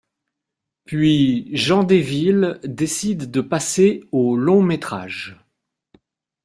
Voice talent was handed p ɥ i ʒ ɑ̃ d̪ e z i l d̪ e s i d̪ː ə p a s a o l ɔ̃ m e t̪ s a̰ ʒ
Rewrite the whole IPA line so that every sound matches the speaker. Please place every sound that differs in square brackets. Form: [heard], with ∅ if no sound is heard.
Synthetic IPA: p ɥ i ʒ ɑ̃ d̪ e [v] i l d̪ e s i d̪ː ə p a s [e] o l ɔ̃ m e t̪ [χ] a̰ ʒ